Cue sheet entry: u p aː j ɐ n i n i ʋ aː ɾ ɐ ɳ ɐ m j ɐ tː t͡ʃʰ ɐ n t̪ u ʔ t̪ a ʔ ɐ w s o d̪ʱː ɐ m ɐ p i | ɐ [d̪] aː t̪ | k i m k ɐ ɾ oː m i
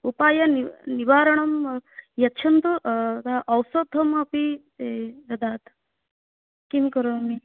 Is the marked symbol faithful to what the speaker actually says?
yes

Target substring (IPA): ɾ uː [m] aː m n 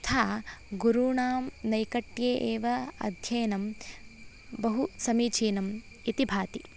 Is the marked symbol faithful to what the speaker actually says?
no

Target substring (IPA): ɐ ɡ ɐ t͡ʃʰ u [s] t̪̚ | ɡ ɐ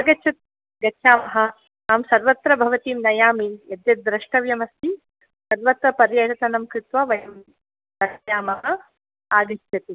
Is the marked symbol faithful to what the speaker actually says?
no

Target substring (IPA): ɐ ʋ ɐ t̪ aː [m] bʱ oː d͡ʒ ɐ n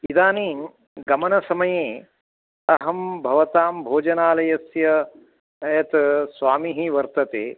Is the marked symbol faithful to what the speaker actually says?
yes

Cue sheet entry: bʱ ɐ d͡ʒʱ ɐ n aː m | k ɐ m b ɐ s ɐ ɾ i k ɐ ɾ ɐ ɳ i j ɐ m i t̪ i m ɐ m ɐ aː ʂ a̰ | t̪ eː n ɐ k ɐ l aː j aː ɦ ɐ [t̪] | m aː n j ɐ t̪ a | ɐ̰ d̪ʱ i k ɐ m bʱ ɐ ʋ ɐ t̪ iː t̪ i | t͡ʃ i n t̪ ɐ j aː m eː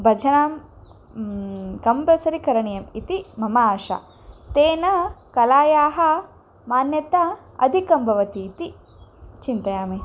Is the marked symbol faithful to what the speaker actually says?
no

